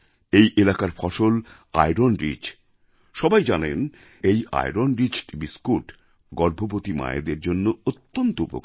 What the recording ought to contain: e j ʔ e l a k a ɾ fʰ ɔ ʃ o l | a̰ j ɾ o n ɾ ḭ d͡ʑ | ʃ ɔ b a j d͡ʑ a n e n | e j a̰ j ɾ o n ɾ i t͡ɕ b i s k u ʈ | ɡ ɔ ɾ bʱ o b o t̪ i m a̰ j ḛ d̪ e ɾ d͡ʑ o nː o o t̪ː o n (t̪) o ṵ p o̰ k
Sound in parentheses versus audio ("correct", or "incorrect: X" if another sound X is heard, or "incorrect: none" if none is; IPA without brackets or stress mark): correct